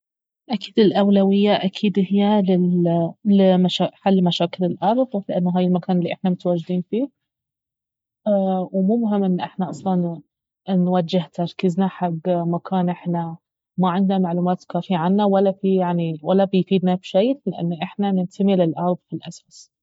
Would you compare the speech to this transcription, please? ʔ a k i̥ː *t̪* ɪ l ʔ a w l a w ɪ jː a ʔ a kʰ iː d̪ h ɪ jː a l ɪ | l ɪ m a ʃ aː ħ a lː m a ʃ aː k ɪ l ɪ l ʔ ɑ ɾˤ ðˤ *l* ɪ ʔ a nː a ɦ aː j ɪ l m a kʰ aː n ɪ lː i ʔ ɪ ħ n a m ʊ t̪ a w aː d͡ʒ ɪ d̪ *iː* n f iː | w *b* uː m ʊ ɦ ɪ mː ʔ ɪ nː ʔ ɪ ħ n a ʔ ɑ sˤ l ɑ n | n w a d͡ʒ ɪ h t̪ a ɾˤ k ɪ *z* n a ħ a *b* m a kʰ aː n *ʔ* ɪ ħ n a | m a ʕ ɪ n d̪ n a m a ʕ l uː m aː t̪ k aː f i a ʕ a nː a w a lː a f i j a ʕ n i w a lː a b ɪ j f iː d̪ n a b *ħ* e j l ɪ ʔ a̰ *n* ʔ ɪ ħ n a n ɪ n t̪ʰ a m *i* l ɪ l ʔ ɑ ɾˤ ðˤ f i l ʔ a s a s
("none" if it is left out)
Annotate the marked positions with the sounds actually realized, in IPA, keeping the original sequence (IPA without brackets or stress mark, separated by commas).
d̪, l, iː, m, z, ɡ, ʔ, ʃ, nː, i